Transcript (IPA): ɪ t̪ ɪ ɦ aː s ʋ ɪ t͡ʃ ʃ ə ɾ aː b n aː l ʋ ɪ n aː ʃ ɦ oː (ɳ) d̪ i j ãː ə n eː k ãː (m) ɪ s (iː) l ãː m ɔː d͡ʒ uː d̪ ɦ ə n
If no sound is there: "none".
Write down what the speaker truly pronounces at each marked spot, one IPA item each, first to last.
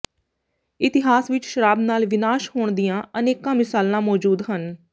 ɳ, m, aː

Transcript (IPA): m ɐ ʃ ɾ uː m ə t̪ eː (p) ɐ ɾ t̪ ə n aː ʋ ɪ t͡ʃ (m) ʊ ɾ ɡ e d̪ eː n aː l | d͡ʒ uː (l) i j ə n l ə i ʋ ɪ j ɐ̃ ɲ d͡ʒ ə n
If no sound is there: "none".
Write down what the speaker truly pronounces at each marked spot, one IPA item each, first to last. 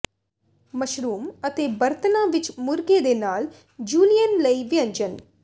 b, m, l

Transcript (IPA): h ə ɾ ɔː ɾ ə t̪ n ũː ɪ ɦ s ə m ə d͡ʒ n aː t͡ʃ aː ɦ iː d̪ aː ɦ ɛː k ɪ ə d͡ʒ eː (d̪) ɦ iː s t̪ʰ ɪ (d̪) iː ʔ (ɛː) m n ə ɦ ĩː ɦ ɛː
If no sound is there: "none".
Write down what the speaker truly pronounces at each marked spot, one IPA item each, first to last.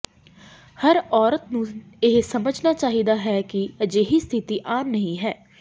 none, t̪, aː

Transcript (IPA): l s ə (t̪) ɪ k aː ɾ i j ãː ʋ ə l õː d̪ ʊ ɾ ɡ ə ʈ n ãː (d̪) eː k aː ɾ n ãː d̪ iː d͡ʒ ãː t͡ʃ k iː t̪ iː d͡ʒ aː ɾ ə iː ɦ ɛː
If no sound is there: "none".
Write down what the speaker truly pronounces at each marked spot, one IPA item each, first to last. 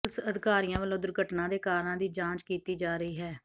d̪, d̪

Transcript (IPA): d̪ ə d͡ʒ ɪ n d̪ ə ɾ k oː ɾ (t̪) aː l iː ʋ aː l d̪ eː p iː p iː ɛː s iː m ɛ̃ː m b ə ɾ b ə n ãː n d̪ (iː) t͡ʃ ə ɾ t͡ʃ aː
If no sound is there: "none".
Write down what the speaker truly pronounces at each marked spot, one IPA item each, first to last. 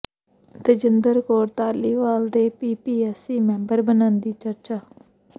t̪, iː

